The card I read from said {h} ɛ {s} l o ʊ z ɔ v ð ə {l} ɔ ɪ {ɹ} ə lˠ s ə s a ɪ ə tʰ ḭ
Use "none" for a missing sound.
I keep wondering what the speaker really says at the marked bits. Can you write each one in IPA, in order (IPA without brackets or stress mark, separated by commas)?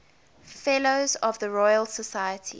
f, none, ɹ, none